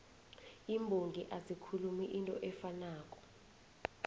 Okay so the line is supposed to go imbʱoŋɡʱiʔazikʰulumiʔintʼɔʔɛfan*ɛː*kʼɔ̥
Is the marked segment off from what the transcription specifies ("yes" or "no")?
yes